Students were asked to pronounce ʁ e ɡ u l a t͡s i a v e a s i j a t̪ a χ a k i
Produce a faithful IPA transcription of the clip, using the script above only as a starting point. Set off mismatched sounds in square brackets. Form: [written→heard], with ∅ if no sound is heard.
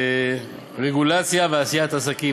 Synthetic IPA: ʁ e ɡ u l a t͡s [i→j] a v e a s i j a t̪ a [χ→s] a k i